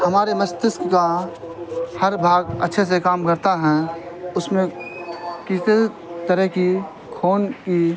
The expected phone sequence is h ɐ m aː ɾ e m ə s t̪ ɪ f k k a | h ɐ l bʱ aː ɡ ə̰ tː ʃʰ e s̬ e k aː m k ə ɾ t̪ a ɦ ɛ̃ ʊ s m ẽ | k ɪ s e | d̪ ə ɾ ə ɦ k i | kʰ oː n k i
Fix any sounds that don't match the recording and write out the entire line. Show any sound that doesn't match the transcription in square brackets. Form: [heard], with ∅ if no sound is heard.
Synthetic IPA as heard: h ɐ m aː ɾ e m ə s t̪ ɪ [s] k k a | h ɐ [ɾ] bʱ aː ɡ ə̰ tː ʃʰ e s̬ e k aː m k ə ɾ t̪ a ɦ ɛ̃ ʊ s m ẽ | k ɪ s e | [t̪] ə ɾ ə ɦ k i | kʰ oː n k i